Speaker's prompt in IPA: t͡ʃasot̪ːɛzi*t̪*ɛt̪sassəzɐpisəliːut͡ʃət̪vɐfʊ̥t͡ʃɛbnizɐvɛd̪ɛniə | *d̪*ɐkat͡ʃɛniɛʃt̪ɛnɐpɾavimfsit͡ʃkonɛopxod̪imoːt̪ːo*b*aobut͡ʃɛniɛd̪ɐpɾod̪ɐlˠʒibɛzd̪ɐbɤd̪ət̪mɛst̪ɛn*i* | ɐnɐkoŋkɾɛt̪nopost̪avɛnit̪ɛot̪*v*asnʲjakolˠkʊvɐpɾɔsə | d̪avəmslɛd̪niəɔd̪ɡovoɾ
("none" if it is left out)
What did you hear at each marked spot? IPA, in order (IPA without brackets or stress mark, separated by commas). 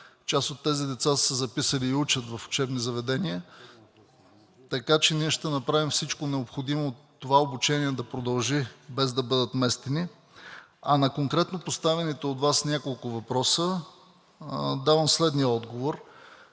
d̪, t̪, v, i, v